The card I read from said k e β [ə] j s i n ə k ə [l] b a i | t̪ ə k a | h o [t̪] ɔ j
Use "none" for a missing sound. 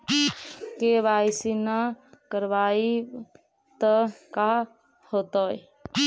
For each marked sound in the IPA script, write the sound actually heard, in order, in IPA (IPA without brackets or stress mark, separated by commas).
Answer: a, ɾ, t̪